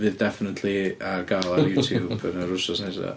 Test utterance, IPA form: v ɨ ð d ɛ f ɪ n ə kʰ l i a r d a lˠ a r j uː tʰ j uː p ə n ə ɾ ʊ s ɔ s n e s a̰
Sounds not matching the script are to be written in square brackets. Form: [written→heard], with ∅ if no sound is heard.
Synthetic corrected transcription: v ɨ ð d ɛ f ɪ n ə [kʰ→tʰ] l i a r [d→ɡ] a lˠ a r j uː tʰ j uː [p→b] ə n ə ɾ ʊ s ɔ s n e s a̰